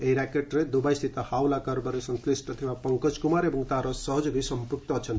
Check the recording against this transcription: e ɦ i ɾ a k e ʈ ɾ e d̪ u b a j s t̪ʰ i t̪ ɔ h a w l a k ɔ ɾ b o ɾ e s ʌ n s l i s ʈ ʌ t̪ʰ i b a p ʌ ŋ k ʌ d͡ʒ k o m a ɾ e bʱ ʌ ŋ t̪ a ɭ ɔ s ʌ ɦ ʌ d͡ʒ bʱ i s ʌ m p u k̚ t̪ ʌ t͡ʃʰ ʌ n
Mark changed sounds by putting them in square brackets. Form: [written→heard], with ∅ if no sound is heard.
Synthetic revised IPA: e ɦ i ɾ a k e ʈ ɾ e d̪ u b a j s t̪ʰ i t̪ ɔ h a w l a k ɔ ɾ b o ɾ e s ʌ n s l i s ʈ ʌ t̪ʰ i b a p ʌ ŋ k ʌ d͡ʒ k [o→u] m a ɾ e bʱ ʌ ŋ t̪ a [ɭ→ɾ] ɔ s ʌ ɦ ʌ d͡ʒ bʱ i s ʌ m p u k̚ t̪ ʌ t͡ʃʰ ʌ n

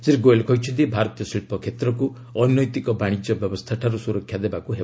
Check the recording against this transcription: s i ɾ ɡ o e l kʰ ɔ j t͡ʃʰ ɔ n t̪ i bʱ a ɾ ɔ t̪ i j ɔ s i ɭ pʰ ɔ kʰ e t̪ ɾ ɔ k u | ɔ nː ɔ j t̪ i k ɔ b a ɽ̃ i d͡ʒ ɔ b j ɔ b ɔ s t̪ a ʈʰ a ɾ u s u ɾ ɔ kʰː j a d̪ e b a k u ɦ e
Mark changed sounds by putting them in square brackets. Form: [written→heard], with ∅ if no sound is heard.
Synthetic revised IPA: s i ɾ ɡ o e l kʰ ɔ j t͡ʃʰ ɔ n t̪ i bʱ a ɾ ɔ t̪ i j ɔ s i ɭ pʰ ɔ kʰ e t̪ ɾ ɔ k u | ɔ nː ɔ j t̪ i k ɔ b a ɽ̃ i d͡ʒ ɔ b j ɔ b ɔ s [t̪→t̪ʰ] a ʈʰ a ɾ u s u ɾ ɔ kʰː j a d̪ e b a k u ɦ e

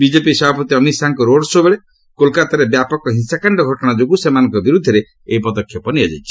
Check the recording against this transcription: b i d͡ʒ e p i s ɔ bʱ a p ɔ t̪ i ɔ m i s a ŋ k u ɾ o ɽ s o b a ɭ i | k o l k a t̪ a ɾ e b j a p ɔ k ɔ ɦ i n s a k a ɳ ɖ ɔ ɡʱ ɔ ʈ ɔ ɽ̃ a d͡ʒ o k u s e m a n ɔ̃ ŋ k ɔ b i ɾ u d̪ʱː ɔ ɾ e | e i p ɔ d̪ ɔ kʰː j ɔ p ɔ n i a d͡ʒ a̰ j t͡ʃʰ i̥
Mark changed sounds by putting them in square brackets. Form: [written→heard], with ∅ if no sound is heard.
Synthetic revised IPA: b i d͡ʒ e p i s ɔ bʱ a p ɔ t̪ i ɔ m i s a ŋ k [u→ɔ] ɾ o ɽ s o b [a→e] ɭ [i→e] | k o l k a t̪ a ɾ e b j a p ɔ k ɔ ɦ i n s a k a ɳ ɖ ɔ ɡʱ ɔ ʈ ɔ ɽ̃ a d͡ʒ o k u s e m a n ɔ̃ ŋ k ɔ b i ɾ u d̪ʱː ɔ ɾ e | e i p ɔ d̪ ɔ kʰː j ɔ p ɔ n i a d͡ʒ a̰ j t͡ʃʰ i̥

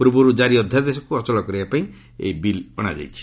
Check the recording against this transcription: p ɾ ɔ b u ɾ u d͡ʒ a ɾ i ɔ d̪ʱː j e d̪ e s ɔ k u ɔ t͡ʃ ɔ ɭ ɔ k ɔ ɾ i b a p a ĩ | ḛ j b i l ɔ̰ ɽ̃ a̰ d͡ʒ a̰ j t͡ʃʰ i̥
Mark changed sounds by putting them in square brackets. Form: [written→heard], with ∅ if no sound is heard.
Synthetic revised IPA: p ɾ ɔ b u ɾ u d͡ʒ a ɾ i ɔ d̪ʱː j [e→a] d̪ e s ɔ k u ɔ t͡ʃ ɔ [ɭ→l] ɔ k ɔ ɾ i b a p a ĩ | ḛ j b i l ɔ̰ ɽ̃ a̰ d͡ʒ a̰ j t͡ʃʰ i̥

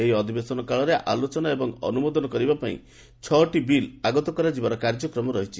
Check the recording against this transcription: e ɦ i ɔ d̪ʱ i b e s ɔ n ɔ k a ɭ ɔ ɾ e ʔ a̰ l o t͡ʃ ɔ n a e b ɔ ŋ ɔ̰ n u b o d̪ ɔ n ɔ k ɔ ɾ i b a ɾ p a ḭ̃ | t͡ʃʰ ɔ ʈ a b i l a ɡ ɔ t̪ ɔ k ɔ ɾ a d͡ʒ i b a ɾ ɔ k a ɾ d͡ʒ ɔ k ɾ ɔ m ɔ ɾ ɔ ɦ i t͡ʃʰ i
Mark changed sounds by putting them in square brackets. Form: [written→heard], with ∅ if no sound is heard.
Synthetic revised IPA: e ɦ i ɔ d̪ʱ i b e s ɔ n ɔ k a ɭ ɔ ɾ e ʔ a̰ l o t͡ʃ ɔ n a e b ɔ ŋ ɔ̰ n u [b→m] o d̪ ɔ n ɔ k ɔ ɾ i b a [ɾ→∅] p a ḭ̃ | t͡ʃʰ ɔ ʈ [a→i] b i l a ɡ ɔ t̪ ɔ k ɔ ɾ a d͡ʒ i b a ɾ ɔ k a ɾ d͡ʒ ɔ k ɾ ɔ m ɔ ɾ ɔ ɦ i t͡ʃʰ i

